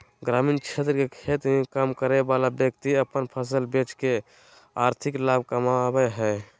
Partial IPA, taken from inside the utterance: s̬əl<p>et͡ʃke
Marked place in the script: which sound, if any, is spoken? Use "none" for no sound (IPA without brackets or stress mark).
b